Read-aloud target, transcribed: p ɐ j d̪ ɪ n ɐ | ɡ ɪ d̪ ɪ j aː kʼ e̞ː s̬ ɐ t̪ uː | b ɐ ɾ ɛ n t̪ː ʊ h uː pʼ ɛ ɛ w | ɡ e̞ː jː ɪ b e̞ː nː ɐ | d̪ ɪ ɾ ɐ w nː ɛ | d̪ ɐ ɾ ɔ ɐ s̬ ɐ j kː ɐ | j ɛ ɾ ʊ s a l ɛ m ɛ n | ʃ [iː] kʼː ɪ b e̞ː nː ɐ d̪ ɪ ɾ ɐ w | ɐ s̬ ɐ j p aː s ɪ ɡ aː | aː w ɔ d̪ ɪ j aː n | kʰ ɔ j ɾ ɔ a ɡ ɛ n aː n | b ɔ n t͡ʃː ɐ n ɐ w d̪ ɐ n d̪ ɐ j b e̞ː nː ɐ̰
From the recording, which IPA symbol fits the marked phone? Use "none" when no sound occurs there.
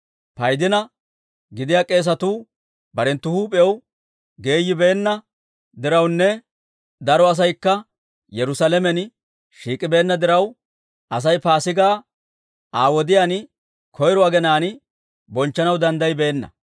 iː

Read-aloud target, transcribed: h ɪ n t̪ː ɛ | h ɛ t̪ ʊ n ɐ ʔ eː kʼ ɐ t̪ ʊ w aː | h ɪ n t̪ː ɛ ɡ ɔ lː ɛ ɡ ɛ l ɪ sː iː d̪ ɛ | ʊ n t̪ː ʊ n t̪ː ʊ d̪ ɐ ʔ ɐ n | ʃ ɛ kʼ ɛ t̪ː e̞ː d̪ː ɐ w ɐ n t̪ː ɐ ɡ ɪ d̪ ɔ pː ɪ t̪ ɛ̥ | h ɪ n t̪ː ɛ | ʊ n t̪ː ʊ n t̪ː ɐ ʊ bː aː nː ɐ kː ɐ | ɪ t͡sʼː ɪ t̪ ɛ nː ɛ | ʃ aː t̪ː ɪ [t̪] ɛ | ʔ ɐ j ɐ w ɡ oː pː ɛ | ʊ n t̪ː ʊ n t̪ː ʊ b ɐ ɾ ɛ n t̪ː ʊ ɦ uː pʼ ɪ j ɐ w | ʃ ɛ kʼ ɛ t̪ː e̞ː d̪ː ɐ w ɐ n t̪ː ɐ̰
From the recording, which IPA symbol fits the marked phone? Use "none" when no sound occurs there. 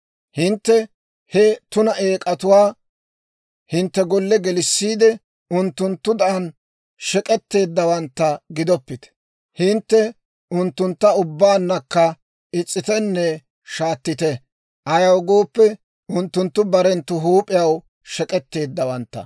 t̪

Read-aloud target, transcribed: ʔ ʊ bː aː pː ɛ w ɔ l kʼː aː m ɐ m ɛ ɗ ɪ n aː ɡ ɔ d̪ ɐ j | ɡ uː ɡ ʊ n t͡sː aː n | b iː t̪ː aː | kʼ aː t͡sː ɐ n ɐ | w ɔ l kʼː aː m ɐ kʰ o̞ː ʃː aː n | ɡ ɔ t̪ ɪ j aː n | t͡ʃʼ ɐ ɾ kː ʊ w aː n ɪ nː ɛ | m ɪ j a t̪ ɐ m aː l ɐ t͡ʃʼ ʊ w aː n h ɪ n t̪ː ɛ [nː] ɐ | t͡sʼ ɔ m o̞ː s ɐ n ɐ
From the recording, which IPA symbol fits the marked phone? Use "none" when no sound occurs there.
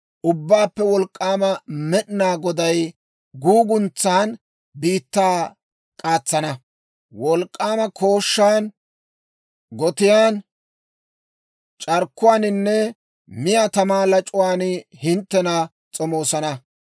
n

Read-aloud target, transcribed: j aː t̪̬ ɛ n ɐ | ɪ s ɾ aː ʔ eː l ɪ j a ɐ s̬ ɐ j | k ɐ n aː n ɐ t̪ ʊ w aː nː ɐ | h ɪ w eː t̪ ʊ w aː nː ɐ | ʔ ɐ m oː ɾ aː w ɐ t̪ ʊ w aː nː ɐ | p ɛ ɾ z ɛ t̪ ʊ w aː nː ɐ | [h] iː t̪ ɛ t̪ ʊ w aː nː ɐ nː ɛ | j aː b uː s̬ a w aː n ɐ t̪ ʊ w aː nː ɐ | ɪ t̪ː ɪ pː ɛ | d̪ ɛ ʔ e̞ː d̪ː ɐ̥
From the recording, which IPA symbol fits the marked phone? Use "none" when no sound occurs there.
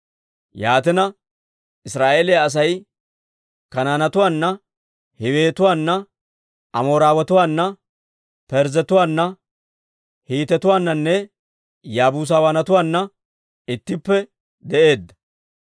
h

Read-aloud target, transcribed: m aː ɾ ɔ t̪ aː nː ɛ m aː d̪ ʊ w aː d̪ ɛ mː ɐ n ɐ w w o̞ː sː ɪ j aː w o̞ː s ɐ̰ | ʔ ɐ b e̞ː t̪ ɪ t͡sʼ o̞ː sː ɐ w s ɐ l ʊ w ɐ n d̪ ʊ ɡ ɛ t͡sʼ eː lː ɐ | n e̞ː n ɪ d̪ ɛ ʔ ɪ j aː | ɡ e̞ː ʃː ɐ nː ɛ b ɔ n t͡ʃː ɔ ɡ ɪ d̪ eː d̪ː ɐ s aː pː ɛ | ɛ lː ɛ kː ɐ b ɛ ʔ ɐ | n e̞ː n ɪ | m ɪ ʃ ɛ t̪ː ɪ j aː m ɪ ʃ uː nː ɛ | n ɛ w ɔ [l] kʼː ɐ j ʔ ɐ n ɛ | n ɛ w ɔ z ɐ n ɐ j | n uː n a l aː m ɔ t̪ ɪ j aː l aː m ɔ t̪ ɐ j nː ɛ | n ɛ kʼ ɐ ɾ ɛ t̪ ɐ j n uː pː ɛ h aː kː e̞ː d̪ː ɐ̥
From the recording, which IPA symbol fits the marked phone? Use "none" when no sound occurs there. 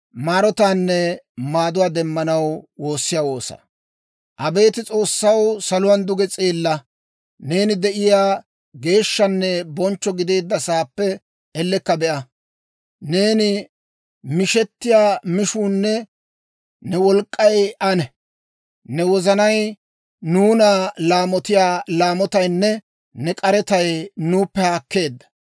l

